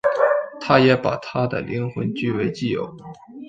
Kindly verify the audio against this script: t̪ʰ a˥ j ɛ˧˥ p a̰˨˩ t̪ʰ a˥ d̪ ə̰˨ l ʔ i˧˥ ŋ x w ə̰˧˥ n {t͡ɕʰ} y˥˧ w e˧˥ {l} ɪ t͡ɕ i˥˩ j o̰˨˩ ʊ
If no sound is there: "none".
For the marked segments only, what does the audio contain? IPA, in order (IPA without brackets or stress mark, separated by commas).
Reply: t͡ɕ, none